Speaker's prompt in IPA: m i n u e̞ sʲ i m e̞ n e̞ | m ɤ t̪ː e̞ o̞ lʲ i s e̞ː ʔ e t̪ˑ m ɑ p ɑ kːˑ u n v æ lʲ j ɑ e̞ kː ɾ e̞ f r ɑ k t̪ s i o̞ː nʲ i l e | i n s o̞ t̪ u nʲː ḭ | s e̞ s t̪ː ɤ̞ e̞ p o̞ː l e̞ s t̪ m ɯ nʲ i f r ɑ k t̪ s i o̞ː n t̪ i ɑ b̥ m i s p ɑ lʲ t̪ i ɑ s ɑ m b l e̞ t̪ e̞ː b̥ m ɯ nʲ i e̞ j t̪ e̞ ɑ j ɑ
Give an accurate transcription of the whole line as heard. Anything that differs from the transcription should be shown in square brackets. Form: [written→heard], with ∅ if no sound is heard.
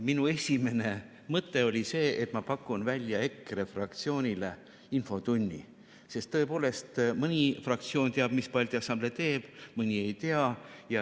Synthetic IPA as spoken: m i n u e̞ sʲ i m e̞ n e̞ | m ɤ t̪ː e̞ o̞ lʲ i s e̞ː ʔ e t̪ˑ m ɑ p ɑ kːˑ u n v æ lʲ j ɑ e̞ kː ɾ e̞ f r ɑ k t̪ s i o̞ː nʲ i l e | i n [s→f] o̞ t̪ u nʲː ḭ | s e̞ s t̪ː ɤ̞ e̞ p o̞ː l e̞ s t̪ m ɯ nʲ i f r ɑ k t̪ s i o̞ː n t̪ [i→e] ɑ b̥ m i s p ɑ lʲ t̪ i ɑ s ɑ m b l e̞ t̪ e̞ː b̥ m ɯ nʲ i e̞ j t̪ e̞ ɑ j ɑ

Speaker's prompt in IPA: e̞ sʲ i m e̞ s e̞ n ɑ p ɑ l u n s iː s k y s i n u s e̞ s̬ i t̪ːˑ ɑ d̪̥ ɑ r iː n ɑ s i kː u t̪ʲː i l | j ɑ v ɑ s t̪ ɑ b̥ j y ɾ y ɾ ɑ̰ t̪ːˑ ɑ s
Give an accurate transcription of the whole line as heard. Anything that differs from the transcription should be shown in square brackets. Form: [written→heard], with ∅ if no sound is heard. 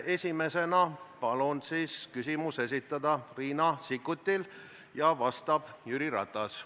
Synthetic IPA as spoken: e̞ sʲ i m e̞ s e̞ n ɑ p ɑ l u n s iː s k y s i [n→m] u s e̞ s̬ i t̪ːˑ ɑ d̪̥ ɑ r iː n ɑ s i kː u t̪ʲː i l | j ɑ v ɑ s t̪ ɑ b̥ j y ɾ [y→i] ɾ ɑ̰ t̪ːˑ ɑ s

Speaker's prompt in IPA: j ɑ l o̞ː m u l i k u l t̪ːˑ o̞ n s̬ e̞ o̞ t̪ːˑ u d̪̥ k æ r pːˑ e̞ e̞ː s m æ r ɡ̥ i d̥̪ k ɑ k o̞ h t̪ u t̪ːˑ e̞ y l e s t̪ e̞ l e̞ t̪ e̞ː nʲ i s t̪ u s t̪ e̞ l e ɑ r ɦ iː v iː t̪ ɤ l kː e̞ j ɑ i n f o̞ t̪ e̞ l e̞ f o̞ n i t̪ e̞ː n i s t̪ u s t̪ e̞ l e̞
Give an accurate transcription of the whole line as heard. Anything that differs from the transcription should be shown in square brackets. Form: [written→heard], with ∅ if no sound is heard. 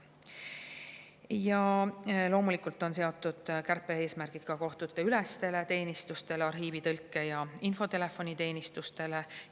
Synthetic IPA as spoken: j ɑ l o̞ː m u l i k u l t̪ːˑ o̞ n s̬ e̞ o̞ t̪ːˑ u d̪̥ k æ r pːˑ e̞ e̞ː s m æ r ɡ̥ i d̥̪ k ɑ k o̞ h t̪ u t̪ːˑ e̞ y l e s t̪ e̞ l e̞ t̪ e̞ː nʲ i s t̪ u s t̪ e̞ l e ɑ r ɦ iː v [iː→i] t̪ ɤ l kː e̞ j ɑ i n f o̞ t̪ e̞ l e̞ f o̞ n i t̪ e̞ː n i s t̪ u s t̪ e̞ l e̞

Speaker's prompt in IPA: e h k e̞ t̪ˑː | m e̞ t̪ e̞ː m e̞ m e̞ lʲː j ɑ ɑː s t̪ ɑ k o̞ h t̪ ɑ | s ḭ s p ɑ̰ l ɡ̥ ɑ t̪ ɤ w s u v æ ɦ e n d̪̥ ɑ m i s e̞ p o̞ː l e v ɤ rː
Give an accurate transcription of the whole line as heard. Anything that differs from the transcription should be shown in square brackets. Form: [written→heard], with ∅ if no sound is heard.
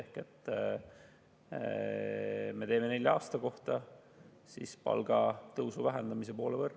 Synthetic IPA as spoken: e h k e̞ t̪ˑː | m e̞ t̪ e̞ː m e̞ [m→n] e̞ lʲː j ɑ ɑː s t̪ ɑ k o̞ h t̪ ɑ | s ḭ s p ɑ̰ l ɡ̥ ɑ t̪ ɤ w s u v æ ɦ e n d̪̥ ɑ m i s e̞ p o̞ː l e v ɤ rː

